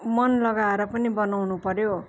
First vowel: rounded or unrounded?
unrounded